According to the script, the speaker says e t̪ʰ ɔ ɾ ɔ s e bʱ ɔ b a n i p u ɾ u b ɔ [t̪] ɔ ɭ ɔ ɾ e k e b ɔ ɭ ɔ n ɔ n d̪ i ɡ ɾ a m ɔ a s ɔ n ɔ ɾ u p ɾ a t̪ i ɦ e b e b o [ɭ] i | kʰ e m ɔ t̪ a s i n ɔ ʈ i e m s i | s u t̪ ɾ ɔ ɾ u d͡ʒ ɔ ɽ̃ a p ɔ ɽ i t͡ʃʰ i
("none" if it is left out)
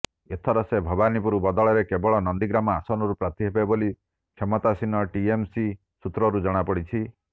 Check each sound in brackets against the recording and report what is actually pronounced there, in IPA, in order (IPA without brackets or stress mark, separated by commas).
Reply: d̪, l